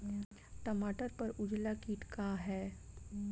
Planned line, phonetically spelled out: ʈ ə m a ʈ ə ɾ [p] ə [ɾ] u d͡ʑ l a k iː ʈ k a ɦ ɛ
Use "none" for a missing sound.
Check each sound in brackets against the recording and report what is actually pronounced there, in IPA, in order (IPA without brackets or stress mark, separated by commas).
p, ɾ